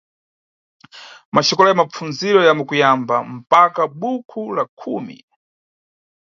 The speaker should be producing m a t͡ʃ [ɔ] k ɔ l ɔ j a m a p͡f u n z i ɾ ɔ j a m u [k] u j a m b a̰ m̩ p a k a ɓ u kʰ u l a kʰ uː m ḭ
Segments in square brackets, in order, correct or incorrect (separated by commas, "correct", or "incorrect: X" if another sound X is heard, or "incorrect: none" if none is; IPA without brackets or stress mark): correct, correct